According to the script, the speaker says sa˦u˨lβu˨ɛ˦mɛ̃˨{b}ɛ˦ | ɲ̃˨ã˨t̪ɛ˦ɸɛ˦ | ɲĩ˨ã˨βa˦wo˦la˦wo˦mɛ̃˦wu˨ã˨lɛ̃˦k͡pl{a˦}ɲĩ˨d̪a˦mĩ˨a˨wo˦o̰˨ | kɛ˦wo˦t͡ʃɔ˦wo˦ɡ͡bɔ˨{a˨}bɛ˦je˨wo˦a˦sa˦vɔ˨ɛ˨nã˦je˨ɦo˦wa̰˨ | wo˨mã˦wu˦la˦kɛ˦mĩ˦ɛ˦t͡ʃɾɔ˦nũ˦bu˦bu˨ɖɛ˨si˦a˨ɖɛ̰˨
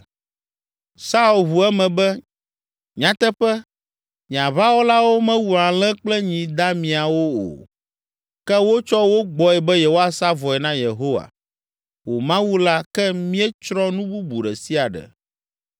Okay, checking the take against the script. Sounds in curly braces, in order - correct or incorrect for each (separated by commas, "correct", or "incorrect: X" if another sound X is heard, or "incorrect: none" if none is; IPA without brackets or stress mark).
correct, incorrect: ɛ˦, incorrect: ɛ˨